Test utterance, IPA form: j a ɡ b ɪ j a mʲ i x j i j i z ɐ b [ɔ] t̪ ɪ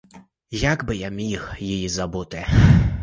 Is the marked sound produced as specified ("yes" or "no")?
no